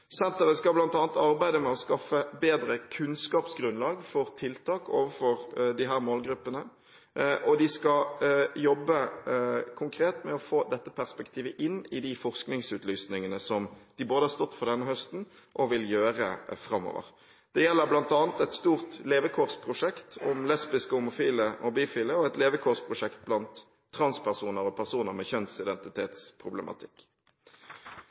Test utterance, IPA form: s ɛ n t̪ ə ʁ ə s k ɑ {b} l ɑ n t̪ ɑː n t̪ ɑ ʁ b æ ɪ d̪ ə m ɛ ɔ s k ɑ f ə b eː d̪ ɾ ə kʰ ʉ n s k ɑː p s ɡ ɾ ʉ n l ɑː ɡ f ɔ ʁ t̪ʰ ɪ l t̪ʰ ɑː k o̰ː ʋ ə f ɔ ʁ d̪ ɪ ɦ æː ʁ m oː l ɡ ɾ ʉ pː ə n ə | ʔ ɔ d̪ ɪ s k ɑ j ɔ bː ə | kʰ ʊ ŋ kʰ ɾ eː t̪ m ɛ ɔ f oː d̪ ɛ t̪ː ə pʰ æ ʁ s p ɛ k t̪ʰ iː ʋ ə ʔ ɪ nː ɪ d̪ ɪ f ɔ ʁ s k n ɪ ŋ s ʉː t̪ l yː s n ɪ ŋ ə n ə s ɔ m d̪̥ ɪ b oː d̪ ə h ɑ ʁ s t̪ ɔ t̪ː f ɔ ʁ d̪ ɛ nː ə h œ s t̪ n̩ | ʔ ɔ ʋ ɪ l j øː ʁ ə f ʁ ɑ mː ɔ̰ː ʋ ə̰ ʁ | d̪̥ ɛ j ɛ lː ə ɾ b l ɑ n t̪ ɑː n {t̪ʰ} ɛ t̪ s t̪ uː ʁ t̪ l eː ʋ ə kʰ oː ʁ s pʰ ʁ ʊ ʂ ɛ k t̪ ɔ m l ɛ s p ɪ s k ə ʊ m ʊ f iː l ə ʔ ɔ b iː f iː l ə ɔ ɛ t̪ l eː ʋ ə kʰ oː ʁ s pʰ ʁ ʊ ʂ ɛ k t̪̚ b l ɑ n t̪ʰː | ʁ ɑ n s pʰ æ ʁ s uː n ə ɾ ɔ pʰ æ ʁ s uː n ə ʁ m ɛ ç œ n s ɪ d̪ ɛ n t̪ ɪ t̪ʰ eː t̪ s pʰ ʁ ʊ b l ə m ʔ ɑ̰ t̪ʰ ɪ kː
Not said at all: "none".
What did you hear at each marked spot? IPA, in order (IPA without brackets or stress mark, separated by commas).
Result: b, t̪